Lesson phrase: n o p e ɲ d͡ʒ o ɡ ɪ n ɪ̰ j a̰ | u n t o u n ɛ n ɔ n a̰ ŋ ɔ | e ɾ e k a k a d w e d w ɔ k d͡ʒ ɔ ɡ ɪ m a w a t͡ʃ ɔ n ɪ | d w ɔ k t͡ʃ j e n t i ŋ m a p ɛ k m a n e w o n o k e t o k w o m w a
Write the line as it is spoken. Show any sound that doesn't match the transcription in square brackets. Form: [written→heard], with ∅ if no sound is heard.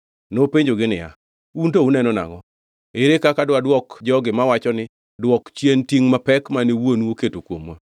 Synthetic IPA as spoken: n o p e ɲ d͡ʒ o ɡ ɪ n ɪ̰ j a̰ | u n t o u n ɛ n ɔ n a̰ ŋ ɔ | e ɾ e k a k a d w [e→a] d w ɔ k d͡ʒ ɔ ɡ ɪ m a w a t͡ʃ ɔ n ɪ | d w ɔ k t͡ʃ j e n t i ŋ m a p ɛ k m a n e w o n o k e t o k w o m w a